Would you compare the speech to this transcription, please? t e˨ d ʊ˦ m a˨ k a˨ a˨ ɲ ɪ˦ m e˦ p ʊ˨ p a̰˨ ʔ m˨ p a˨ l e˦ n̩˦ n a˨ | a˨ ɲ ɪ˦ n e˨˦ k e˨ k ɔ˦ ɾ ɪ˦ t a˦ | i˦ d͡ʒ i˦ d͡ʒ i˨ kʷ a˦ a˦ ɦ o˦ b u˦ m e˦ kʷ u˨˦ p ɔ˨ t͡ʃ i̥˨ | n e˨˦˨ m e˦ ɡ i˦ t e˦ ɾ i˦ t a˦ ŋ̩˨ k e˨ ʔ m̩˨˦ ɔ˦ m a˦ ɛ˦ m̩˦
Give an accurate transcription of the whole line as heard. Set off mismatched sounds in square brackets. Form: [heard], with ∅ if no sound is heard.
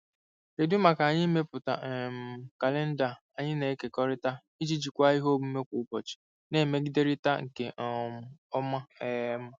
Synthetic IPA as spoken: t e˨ d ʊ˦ m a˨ k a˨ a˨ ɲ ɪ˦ m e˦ p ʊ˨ [t] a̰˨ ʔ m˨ [k] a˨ l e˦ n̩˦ [d] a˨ | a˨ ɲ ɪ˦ n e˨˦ k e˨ k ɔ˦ ɾ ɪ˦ t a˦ | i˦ d͡ʒ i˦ d͡ʒ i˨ kʷ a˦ [i˦] ɦ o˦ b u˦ m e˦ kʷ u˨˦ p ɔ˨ t͡ʃ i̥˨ | n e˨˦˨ m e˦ ɡ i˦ [d] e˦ ɾ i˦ t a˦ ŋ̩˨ k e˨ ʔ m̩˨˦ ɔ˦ m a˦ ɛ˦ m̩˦